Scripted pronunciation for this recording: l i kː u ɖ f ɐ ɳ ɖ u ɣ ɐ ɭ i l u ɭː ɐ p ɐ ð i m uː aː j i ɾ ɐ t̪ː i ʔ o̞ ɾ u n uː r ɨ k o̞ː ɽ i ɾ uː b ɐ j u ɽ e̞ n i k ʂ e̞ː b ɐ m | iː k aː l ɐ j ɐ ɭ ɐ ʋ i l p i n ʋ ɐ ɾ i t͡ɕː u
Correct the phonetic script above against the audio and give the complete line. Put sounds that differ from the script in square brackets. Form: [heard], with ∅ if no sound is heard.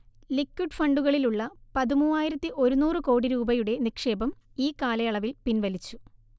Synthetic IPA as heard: l i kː u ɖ f ɐ ɳ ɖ u ɣ ɐ ɭ i l u ɭː ɐ p ɐ ð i m uː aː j i ɾ ɐ t̪ː i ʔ o̞ ɾ u n uː r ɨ k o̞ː ɽ i ɾ uː b ɐ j u ɽ e̞ n i k ʂ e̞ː b ɐ m | iː k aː l ɐ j ɐ ɭ ɐ ʋ i l p i n ʋ ɐ [l] i t͡ɕː u